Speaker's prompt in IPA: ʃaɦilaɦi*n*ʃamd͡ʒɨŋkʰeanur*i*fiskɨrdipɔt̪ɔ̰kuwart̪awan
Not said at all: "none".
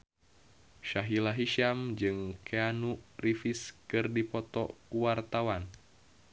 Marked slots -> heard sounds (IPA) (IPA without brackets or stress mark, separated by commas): none, i